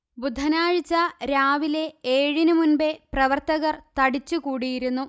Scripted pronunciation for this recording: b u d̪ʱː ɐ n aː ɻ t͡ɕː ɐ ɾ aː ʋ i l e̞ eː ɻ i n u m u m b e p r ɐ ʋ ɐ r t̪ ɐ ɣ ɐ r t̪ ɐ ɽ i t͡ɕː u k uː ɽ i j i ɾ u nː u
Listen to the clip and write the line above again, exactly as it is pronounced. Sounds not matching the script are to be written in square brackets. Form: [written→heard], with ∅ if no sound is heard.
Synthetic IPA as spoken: b u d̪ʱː ɐ n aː ɻ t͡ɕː ɐ ɾ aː ʋ i l e̞ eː ɻ i n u m u [m→n] b e p r ɐ ʋ ɐ r t̪ ɐ ɣ ɐ r t̪ ɐ ɽ i t͡ɕː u k uː ɽ i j i ɾ u nː u